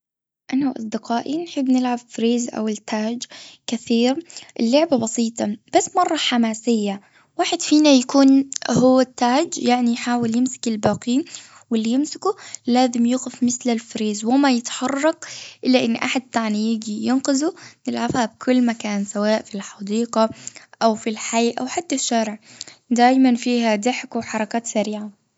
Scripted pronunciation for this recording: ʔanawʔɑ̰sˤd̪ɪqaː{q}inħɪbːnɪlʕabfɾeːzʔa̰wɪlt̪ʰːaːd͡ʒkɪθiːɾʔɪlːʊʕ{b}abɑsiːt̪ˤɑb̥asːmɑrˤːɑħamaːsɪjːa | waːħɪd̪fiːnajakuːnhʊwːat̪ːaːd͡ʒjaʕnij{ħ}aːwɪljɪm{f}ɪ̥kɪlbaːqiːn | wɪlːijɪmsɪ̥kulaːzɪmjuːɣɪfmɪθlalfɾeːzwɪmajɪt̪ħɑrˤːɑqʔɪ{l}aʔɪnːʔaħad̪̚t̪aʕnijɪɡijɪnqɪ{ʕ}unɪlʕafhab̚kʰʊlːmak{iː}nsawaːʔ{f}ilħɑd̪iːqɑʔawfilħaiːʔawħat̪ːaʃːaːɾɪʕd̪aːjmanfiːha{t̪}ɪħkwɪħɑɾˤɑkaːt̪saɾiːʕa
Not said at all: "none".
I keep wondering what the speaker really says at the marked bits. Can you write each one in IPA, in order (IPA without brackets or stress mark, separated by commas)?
ʔ, b, ħ, s, lː, z, aː, f, d̪